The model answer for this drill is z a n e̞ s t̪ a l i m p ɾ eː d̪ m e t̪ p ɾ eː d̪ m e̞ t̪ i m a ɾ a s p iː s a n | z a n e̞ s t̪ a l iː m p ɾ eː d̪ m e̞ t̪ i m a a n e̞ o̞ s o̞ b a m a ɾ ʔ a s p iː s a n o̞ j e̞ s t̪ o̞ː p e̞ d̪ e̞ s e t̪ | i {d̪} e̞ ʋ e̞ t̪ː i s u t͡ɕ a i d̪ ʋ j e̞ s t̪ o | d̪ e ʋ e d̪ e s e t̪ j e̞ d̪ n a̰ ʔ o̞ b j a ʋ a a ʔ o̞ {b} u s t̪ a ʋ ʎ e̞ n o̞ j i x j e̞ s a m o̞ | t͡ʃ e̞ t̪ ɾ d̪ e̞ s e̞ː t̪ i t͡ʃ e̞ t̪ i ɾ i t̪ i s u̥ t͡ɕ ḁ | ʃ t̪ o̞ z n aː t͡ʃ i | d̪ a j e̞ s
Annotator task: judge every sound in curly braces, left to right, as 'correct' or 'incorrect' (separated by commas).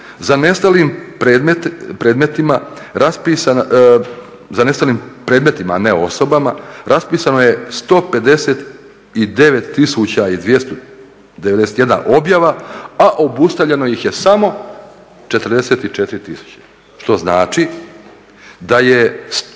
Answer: correct, correct